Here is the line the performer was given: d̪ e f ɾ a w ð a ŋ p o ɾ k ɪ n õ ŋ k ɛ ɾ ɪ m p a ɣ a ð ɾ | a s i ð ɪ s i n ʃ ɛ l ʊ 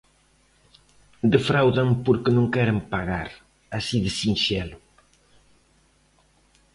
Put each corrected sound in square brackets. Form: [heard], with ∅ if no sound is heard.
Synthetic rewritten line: d̪ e f ɾ a w ð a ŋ p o ɾ k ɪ n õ ŋ k ɛ ɾ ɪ m p a ɣ a [∅] ɾ | a s i ð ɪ s i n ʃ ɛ l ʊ

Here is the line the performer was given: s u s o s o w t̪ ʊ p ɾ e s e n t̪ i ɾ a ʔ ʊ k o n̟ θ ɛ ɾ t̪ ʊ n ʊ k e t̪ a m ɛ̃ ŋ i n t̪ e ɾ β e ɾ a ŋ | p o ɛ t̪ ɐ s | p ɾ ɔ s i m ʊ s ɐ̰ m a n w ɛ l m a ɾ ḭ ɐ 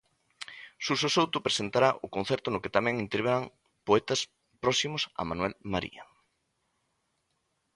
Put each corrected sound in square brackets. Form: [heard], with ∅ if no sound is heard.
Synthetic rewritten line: s u s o s o w t̪ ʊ p ɾ e s e n t̪ [a] ɾ a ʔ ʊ k o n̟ θ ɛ ɾ t̪ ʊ n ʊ k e t̪ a m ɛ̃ ŋ i n t̪ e ɾ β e ɾ a ŋ | p o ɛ t̪ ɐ s | p ɾ ɔ s i m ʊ s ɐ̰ m a n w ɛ l m a ɾ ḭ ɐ

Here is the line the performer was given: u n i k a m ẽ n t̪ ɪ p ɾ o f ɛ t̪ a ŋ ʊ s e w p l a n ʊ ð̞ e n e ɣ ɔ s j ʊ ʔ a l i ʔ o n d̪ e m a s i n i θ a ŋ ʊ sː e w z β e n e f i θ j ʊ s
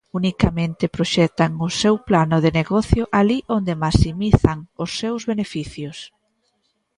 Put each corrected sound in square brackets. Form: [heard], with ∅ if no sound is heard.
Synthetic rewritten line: u n i k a m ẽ n t̪ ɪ p ɾ o [ʃ] ɛ t̪ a ŋ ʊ s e w p l a n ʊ ð̞ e n e ɣ ɔ [θ] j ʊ ʔ a l i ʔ o n d̪ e m a s i [m] i θ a ŋ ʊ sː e w z β e n e f i θ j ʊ s

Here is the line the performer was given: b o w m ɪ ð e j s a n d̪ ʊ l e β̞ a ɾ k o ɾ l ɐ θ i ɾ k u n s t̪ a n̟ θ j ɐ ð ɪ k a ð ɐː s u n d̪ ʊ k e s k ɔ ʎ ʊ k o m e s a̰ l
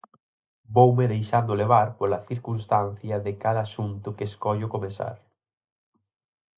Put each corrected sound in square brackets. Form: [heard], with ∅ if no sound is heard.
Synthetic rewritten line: b o w m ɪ ð e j [ʃ] a n d̪ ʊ l e β̞ a ɾ [p] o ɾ l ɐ θ i ɾ k u n s t̪ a n̟ θ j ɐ ð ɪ k a ð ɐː s u n [t̪] ʊ k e s k ɔ ʎ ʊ k o m e s a̰ [ɾ]

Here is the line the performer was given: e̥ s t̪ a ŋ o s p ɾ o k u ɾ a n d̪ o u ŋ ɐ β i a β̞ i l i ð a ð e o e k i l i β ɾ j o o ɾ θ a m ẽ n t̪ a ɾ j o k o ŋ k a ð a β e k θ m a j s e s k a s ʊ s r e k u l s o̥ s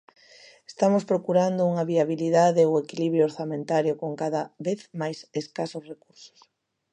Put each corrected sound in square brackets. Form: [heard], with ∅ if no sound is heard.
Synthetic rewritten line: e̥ s t̪ a [m] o s p ɾ o k u ɾ a n d̪ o u ŋ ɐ β i a β̞ i l i ð a ð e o e k i l i β ɾ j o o ɾ θ a m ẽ n t̪ a ɾ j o k o ŋ k a ð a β e [∅] θ m a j s e s k a s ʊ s r e k u [ɾ] s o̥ s

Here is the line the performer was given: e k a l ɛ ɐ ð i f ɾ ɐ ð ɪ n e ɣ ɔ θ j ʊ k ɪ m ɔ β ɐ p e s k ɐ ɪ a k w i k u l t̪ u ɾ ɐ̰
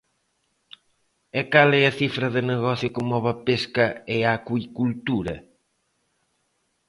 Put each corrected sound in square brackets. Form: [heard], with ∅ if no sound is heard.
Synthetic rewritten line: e k a l ɛ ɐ [θ] i f ɾ ɐ ð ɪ n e ɣ ɔ θ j ʊ k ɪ m ɔ β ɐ p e s k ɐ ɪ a k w i k u l t̪ u ɾ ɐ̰

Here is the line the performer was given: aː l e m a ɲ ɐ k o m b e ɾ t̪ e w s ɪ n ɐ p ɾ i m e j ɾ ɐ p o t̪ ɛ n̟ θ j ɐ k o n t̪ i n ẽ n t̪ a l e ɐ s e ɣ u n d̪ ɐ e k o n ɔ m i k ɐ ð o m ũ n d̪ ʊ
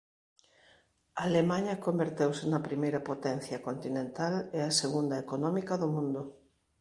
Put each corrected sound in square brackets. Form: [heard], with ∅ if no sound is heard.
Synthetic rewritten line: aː l e m a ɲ ɐ k o m b e ɾ t̪ e w s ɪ n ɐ p ɾ i m e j ɾ ɐ p o t̪ ɛ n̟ θ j ɐ k o n t̪ i n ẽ n t̪ a l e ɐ s e ɣ u n d̪ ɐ e k o n ɔ m i k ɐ ð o m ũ n d̪ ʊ

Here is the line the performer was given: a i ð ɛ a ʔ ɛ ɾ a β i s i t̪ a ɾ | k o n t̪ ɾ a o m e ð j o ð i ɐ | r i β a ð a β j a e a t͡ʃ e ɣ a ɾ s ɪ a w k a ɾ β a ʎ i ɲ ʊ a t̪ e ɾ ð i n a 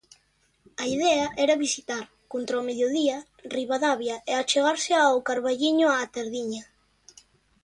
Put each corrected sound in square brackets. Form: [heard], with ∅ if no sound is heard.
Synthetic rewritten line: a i ð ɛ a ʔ ɛ ɾ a β i s i t̪ a ɾ | k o n t̪ ɾ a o m e ð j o ð i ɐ | r i β a ð a β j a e a t͡ʃ e ɣ a ɾ s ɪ a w k a ɾ β a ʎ i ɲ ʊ a t̪ e ɾ ð i [ɲ] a

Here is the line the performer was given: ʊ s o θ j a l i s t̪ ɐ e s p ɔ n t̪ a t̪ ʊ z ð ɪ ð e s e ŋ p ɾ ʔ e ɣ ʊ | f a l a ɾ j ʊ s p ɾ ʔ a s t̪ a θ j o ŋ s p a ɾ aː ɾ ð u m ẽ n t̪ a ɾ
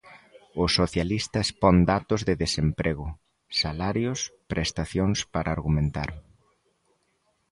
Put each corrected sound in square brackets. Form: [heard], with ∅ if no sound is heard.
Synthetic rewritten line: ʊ s o θ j a l i s t̪ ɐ e s p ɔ n [d̪] a t̪ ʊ z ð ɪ ð e s e [m] p ɾ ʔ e ɣ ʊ | [s] a l a ɾ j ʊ s p ɾ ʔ [e] s t̪ a θ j o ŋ s p a ɾ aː ɾ [ɣ] u m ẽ n t̪ a ɾ

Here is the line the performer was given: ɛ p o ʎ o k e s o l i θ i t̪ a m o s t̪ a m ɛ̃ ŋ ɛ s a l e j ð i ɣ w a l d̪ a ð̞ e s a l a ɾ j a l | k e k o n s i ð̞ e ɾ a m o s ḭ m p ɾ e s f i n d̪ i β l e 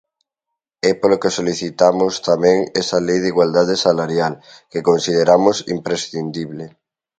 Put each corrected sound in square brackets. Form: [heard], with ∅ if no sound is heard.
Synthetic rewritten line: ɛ p o [l] o k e s o l i θ i t̪ a m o s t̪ a m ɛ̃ ŋ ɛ s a l e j ð i ɣ w a l d̪ a ð̞ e s a l a ɾ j a l | k e k o n s i ð̞ e ɾ a m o s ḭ m p ɾ e s [θ] i n d̪ i β l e

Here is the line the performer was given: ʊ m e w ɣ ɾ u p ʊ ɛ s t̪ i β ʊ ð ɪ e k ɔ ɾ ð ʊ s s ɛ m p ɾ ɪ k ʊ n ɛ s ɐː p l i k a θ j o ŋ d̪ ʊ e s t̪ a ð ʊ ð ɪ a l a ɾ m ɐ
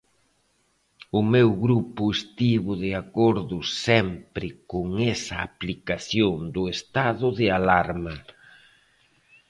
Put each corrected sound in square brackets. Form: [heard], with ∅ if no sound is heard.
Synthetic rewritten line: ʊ m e w ɣ ɾ u p ʊ [e] s t̪ i β ʊ ð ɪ [a] k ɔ ɾ ð ʊ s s ɛ m p ɾ ɪ k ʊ [ŋ] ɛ s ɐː p l i k a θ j o ŋ d̪ ʊ e s t̪ a ð ʊ ð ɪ a l a ɾ m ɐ

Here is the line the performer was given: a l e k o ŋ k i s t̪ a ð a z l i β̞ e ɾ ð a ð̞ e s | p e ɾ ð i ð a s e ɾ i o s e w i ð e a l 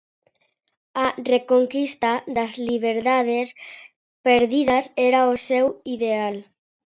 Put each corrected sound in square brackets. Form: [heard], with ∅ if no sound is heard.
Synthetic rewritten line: a [r] e k o ŋ k i s t̪ a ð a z l i β̞ e ɾ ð a ð̞ e s | p e ɾ ð i ð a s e ɾ [a] o s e w i ð e a l

